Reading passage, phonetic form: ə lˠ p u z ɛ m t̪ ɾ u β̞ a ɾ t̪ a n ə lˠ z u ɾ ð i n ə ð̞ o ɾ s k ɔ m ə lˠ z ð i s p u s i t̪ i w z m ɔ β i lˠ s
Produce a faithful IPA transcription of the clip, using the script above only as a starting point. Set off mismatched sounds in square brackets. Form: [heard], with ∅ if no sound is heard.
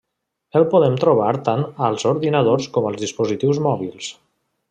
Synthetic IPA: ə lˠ p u [ð] ɛ m t̪ ɾ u β̞ a ɾ t̪ a n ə lˠ z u ɾ ð i n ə ð̞ o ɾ s k ɔ m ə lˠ z ð i s p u [z] i t̪ i w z m ɔ β i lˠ s

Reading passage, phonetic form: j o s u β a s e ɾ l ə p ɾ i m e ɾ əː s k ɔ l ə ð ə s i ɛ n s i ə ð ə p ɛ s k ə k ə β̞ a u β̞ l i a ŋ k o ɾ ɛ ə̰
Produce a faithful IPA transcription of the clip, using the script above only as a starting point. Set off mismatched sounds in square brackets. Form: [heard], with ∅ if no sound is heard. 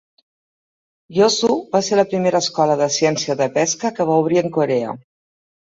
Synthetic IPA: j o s u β a s e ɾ l ə p ɾ i m e ɾ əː s k ɔ l ə ð ə s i ɛ n s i ə ð ə p ɛ s k ə k ə β̞ a u β̞ [ɾ] i [ə] ŋ k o ɾ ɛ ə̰

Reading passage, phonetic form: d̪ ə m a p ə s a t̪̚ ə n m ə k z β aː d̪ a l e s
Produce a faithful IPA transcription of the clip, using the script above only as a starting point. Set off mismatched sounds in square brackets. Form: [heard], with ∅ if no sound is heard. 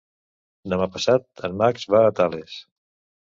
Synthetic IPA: d̪ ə m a p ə s a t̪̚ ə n m [a] k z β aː [t̪] a l e s

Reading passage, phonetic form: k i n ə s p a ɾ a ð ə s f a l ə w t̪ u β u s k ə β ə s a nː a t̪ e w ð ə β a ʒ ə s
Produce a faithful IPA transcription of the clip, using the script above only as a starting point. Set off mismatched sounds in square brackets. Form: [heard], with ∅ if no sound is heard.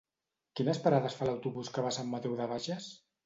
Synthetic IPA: k i n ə s p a ɾ a ð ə s f a l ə w t̪ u β u s k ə β [a] s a [mː] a t̪ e w ð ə β a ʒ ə s

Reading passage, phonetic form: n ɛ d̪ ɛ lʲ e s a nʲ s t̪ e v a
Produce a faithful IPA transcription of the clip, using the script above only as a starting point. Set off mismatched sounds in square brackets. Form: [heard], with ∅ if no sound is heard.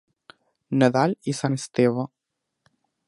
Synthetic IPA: n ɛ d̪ [a] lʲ [i] s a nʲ s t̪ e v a

